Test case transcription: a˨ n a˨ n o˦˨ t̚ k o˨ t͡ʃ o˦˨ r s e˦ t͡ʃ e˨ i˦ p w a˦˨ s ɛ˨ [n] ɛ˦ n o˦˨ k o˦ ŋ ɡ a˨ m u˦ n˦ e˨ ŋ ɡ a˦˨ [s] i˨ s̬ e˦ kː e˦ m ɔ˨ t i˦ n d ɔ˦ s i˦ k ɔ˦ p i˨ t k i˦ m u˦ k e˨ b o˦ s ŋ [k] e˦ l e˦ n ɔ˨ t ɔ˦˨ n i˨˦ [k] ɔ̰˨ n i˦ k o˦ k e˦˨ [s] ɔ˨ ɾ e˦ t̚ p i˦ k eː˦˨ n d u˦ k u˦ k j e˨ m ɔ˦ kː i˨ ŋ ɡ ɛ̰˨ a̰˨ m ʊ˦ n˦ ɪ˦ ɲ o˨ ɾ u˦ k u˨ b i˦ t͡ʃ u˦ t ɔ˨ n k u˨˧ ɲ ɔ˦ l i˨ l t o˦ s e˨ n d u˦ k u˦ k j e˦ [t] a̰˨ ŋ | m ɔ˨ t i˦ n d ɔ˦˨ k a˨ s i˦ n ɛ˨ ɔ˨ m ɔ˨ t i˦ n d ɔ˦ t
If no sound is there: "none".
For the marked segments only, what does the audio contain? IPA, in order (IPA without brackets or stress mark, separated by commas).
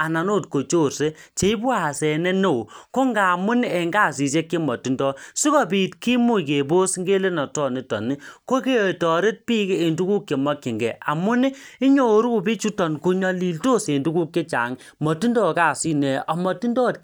n, s, ɡ, t, t, t͡ʃ